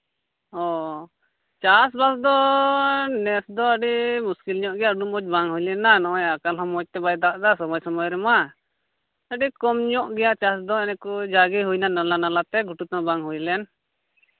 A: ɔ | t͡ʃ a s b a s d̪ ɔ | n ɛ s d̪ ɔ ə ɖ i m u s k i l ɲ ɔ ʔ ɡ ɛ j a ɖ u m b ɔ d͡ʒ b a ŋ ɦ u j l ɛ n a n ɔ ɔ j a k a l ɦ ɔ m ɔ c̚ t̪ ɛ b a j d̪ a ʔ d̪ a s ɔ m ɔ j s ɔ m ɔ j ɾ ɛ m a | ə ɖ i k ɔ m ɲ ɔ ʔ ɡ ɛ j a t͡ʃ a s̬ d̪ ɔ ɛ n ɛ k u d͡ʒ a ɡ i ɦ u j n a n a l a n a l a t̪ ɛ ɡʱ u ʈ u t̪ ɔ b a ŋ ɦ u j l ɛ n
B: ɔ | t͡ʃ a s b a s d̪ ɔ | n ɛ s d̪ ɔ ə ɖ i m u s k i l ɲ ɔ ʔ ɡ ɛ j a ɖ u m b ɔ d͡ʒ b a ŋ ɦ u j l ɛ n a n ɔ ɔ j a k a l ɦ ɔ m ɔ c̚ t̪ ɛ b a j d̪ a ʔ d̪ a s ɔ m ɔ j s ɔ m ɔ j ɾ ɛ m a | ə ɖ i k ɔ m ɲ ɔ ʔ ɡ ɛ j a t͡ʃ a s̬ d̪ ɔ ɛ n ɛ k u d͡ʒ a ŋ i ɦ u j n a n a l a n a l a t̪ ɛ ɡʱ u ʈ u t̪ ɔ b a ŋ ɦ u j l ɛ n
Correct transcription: A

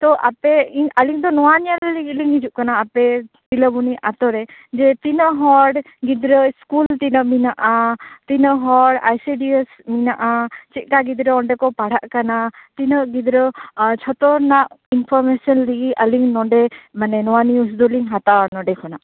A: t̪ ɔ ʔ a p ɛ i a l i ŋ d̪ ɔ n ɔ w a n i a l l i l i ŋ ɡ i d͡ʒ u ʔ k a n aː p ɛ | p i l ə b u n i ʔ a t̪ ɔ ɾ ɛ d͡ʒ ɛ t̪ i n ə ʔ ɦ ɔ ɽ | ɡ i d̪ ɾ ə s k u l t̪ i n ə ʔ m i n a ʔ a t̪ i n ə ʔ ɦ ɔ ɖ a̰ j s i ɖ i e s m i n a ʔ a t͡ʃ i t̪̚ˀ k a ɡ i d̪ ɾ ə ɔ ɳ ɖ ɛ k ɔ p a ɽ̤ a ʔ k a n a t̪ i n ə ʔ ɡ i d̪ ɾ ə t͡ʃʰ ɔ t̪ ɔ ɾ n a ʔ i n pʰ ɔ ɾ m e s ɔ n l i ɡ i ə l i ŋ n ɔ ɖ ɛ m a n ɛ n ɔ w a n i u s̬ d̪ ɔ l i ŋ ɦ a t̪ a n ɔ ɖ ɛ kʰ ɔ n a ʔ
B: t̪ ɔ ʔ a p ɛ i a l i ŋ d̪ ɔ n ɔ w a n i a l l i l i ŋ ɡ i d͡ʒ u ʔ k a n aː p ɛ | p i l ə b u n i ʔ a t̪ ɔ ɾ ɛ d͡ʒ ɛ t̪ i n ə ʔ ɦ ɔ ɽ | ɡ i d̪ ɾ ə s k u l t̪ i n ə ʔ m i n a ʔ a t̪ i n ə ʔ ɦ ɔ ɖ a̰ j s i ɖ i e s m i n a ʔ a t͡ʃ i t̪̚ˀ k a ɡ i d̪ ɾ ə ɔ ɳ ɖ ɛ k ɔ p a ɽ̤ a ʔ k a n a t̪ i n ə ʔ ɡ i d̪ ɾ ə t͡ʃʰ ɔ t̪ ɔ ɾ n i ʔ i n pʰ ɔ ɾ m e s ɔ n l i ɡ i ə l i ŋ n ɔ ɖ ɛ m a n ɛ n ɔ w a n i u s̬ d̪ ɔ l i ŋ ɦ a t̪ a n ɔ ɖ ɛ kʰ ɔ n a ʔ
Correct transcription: A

